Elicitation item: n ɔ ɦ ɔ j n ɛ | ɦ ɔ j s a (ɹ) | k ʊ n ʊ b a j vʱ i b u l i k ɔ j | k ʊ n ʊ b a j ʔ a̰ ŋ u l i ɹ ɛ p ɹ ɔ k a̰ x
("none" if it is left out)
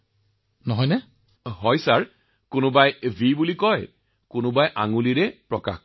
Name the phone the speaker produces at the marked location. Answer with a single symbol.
ɹ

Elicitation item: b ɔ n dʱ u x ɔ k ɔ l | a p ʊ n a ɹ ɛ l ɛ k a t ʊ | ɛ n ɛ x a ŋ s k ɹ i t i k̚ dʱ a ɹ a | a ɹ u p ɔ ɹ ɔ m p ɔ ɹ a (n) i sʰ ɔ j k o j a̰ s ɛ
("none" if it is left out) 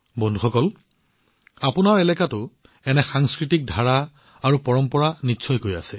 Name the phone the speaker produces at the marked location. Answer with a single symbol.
n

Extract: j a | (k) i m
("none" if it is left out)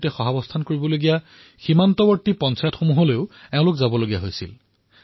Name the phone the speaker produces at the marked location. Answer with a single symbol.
x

